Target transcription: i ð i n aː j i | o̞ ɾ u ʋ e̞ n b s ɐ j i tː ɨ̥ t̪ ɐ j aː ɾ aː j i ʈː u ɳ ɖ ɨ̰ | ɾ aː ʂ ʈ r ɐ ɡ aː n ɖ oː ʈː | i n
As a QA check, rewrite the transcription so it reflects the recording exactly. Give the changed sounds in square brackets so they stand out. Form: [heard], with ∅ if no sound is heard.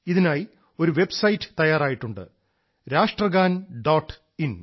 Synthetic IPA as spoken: i ð i n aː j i | o̞ ɾ u ʋ e̞ [∅] b s ɐ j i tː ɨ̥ t̪ ɐ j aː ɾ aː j i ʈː u ɳ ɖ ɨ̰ | ɾ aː ʂ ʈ r ɐ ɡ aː n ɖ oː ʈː | i n